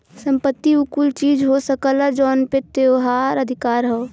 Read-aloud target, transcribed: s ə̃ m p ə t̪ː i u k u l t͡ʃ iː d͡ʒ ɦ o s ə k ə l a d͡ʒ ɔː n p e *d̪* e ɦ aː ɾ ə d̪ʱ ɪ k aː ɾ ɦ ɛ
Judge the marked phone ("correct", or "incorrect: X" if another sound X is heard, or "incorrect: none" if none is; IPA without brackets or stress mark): incorrect: t̪